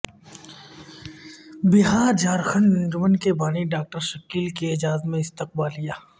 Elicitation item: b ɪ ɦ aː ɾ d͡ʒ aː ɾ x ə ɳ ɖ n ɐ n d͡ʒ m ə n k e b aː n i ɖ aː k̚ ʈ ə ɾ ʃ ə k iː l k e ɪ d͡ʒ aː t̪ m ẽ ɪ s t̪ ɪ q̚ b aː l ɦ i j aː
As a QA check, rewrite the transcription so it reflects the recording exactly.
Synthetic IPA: b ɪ ɦ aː ɾ d͡ʒ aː ɾ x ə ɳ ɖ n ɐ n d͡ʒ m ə n k e b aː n i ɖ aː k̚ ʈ ə ɾ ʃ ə k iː l k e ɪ d͡ʒ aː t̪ m ẽ ɪ s t̪ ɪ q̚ b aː l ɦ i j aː